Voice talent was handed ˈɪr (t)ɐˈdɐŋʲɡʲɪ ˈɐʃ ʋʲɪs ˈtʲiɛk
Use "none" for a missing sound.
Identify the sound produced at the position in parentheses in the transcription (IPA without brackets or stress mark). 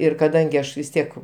k